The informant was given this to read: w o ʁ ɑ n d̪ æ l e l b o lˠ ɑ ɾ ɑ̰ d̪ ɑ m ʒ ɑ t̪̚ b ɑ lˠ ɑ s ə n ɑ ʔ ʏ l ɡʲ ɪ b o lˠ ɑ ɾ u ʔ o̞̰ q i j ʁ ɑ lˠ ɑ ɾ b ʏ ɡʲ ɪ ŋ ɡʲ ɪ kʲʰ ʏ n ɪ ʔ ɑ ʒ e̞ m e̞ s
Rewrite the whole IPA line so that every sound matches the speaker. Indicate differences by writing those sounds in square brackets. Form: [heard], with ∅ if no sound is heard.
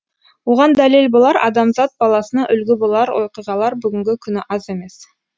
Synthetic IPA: w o ʁ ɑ n d̪ æ l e l b o lˠ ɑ ɾ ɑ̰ d̪ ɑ m [z] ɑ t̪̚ b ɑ lˠ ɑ s ə n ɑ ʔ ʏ l ɡʲ ɪ b o lˠ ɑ ɾ [w] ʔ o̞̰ q i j ʁ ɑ lˠ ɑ ɾ b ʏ ɡʲ ɪ ŋ ɡʲ ɪ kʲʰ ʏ n ɪ ʔ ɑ [z] e̞ m e̞ s